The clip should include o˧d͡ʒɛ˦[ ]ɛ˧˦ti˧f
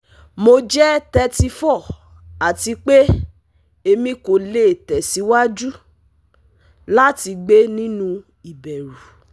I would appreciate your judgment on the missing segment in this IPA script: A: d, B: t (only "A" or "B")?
B